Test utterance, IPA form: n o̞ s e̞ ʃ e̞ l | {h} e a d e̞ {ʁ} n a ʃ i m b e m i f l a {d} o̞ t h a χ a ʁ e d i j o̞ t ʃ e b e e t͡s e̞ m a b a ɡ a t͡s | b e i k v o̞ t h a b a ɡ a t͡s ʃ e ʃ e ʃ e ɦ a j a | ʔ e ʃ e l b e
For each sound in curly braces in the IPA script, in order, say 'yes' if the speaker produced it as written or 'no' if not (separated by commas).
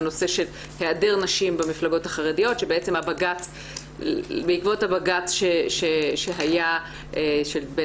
yes, yes, no